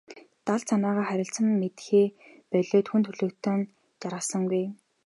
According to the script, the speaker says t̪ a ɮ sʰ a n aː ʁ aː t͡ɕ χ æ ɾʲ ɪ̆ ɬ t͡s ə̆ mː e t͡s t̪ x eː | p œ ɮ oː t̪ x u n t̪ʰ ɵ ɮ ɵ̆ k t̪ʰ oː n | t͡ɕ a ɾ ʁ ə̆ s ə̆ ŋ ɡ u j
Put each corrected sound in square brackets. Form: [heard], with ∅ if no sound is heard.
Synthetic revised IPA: t̪ a ɮ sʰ a n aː ʁ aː [∅] χ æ ɾʲ ɪ̆ ɬ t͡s ə̆ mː e [∅] t̪ x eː | p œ ɮ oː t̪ x u n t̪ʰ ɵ ɮ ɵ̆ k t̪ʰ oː n | t͡ɕ a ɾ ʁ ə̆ s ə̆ ŋ ɡ u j